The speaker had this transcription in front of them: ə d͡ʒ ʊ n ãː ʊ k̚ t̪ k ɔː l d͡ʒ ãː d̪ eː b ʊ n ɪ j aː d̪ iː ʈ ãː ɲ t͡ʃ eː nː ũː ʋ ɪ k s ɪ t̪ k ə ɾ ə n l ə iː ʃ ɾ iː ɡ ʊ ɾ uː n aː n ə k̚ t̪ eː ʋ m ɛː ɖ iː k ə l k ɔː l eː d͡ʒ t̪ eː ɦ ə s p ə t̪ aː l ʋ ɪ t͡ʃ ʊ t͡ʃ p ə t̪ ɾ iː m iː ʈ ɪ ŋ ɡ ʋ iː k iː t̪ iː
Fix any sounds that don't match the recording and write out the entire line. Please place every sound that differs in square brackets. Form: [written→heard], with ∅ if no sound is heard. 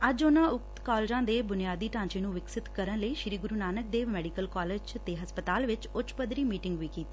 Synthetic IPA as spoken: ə d͡ʒ ʊ n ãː ʊ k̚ t̪ k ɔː l d͡ʒ ãː d̪ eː b ʊ n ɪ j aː d̪ iː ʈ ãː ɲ t͡ʃ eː [nː→n] ũː ʋ ɪ k s ɪ t̪ k ə ɾ ə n l ə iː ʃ ɾ iː ɡ ʊ ɾ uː n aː n ə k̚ [t̪→d̪] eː ʋ m ɛː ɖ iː k ə l k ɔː l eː d͡ʒ t̪ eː ɦ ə s p ə t̪ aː l ʋ ɪ t͡ʃ ʊ t͡ʃ p ə [t̪→d̪] ɾ iː m iː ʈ ɪ ŋ ɡ ʋ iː k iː t̪ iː